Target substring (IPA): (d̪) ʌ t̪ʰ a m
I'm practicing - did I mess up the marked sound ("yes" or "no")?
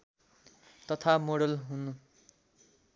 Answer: yes